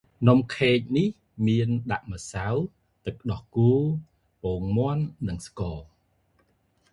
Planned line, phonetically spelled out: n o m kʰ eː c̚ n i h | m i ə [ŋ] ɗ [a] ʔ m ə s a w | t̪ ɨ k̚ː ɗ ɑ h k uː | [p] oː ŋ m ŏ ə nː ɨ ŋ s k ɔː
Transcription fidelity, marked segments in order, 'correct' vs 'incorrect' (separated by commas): incorrect, correct, correct